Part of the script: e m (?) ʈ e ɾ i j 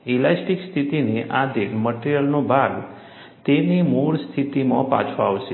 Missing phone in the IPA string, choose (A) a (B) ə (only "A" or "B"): B